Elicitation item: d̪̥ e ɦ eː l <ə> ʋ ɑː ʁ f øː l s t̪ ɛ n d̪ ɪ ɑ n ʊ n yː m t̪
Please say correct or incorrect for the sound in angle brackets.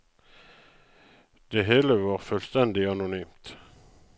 correct